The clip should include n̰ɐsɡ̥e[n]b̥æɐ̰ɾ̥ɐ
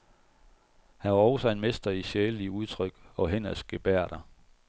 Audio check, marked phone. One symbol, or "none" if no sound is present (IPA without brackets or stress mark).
none